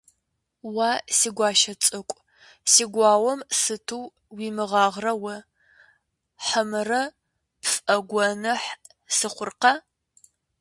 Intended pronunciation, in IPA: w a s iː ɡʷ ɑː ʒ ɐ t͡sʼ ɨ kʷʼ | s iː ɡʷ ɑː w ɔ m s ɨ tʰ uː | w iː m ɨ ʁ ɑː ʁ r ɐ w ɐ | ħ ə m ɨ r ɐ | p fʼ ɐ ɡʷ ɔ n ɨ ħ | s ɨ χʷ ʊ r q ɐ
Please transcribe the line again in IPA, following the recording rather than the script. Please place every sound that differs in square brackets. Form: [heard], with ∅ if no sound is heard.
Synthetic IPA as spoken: w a s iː ɡʷ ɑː [ʃ] ɐ t͡sʼ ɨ kʷʼ | s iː ɡʷ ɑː w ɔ m s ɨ tʰ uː | w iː m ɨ ʁ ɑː ʁ r ɐ w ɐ | ħ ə m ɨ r ɐ | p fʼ ɐ ɡʷ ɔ n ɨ ħ | s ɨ χʷ ʊ r q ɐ